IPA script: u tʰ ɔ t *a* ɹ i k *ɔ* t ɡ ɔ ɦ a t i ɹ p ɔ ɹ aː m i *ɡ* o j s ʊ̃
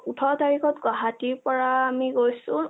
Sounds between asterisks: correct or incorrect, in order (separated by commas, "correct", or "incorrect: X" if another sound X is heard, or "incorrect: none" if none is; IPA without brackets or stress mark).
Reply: correct, correct, correct